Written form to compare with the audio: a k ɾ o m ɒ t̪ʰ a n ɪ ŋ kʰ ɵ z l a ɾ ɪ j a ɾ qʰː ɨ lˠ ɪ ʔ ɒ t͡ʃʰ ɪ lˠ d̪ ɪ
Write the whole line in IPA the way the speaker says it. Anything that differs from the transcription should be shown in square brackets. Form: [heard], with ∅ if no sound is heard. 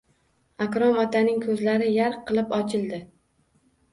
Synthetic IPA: a k ɾ [ɒ] m ɒ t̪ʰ a n ɪ ŋ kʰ ɵ z l a ɾ ɪ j a ɾ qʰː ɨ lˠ ɪ [p] ɒ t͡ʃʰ ɪ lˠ d̪ ɪ